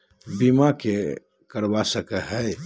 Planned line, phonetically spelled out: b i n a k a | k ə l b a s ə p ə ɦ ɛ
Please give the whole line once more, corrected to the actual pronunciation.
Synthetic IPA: b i m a k e | k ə ɾ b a s ə k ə ɦ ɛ